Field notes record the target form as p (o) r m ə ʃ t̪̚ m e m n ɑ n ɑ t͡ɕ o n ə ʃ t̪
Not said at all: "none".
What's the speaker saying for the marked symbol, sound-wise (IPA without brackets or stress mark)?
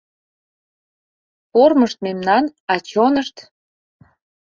o